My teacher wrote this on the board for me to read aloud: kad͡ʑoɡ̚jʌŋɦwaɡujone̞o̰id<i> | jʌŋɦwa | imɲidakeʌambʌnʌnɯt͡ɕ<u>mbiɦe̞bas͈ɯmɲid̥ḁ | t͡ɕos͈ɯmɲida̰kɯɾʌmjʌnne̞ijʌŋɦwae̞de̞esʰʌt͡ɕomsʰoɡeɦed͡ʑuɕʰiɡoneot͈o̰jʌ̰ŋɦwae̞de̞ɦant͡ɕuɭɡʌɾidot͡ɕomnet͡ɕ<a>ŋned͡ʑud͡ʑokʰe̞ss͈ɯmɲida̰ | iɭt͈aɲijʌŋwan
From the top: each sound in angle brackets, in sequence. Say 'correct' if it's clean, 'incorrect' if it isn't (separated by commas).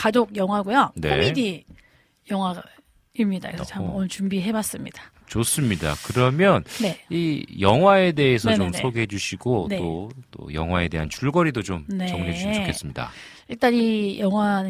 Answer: correct, correct, incorrect